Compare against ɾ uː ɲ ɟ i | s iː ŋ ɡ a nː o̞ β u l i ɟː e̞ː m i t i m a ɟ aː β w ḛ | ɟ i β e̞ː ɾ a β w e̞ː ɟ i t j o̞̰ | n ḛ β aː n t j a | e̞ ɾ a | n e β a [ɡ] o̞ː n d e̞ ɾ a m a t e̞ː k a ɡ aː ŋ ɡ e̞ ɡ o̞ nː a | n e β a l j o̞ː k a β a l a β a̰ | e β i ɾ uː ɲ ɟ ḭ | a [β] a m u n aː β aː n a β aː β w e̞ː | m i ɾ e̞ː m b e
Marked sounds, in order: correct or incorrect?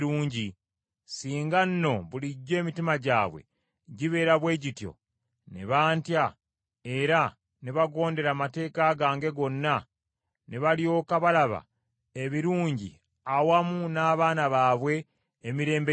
correct, incorrect: w

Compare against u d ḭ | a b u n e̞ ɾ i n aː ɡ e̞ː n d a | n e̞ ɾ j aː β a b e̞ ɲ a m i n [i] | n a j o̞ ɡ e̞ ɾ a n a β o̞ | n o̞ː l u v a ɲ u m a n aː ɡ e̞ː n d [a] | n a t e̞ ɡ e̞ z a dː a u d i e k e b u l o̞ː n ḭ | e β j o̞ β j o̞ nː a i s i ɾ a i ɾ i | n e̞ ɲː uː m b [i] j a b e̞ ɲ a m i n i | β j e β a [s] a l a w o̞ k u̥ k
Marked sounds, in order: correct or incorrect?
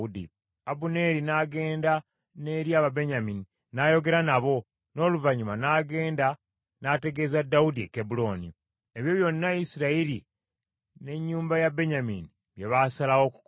correct, correct, incorrect: a, correct

